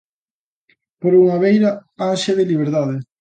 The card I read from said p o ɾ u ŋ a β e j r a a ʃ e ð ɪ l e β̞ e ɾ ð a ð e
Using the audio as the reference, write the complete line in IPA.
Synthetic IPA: p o ɾ u ŋ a β e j ɾ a a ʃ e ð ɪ l i β̞ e ɾ ð a ð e